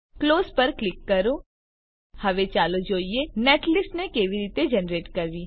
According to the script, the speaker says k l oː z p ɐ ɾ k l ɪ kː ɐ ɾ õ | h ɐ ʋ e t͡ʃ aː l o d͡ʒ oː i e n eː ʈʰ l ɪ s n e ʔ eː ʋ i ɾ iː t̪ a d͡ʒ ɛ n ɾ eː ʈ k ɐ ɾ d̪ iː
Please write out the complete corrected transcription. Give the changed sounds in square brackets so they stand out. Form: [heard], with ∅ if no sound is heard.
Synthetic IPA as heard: k l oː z p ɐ ɾ k l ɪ kː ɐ ɾ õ | h ɐ ʋ e t͡ʃ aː l o d͡ʒ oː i e n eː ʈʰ l ɪ s n e [k] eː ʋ i ɾ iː t̪ [e] d͡ʒ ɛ n ɾ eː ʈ k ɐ ɾ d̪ iː